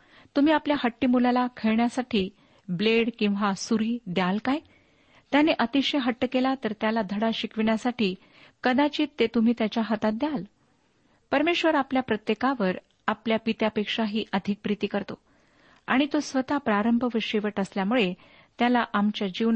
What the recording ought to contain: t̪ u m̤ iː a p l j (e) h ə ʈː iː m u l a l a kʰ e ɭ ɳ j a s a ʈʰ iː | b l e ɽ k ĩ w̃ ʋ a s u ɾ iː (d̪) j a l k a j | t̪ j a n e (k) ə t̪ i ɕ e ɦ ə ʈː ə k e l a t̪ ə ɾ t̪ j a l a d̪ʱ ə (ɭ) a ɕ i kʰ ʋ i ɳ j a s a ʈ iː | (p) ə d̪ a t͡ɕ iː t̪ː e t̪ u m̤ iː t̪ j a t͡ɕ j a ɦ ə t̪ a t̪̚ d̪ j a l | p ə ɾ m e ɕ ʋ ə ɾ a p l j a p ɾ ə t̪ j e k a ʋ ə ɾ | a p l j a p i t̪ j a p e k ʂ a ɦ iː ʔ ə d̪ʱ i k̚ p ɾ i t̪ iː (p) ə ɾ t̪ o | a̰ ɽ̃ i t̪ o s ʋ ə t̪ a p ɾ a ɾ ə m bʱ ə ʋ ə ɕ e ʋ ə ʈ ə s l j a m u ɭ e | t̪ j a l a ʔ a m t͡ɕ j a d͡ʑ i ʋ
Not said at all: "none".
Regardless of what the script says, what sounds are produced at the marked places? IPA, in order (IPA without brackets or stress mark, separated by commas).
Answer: a, d̪, ʔ, ɽ, k, k